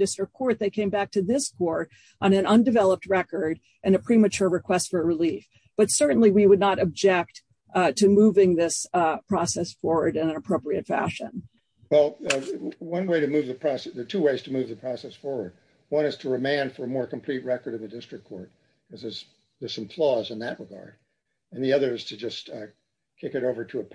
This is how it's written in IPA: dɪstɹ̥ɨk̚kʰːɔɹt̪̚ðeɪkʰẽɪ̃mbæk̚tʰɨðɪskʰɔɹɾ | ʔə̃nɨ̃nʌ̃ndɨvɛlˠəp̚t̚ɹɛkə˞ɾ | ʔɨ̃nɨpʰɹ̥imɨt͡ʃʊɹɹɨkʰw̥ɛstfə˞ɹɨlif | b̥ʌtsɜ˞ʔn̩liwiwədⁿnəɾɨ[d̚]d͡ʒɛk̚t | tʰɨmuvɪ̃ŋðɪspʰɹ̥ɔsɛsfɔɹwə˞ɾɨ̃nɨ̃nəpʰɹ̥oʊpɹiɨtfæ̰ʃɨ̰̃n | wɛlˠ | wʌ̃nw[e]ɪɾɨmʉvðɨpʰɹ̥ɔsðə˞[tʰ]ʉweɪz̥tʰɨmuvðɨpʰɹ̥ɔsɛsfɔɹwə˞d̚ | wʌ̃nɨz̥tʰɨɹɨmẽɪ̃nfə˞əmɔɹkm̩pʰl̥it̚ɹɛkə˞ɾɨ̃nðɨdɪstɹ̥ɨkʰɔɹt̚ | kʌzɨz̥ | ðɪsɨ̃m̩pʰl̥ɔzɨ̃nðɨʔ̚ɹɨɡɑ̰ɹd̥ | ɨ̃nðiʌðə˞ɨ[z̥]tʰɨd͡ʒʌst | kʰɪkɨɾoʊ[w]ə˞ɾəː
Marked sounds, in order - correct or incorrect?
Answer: incorrect: b̚, correct, correct, correct, incorrect: v

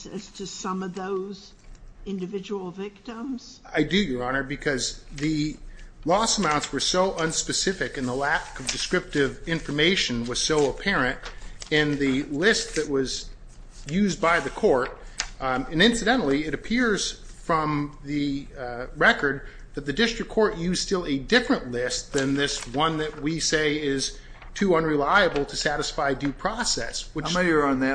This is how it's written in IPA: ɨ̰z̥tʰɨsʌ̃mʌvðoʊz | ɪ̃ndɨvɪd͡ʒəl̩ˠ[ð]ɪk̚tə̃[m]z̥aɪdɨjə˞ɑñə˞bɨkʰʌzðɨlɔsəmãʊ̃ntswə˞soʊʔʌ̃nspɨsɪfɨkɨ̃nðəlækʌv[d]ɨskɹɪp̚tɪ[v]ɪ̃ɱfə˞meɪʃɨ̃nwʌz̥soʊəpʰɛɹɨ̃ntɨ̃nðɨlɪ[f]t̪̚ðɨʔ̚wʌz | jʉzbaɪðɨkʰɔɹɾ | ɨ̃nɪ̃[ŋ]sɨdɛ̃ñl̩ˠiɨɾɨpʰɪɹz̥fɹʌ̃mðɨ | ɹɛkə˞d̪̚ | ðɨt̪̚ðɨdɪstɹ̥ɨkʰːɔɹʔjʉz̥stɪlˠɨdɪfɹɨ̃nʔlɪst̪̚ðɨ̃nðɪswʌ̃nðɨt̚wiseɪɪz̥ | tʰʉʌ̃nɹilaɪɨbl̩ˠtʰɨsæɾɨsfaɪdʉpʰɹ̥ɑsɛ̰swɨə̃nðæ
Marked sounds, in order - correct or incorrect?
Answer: incorrect: v, correct, correct, correct, incorrect: s, incorrect: n

